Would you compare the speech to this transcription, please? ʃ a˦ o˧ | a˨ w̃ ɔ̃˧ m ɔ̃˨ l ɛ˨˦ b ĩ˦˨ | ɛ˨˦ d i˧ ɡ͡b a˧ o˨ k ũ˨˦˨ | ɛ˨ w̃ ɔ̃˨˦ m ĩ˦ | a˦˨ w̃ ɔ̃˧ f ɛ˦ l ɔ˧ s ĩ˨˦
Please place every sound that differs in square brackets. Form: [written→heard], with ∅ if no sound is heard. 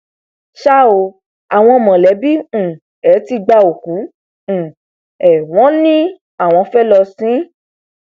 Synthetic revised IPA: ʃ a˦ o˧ | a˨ w̃ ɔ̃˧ m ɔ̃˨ l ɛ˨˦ b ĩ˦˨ | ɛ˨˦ [d→t] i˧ ɡ͡b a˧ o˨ k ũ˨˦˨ | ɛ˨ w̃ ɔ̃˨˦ [m→n] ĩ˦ | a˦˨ w̃ ɔ̃˧ f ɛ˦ l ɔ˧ s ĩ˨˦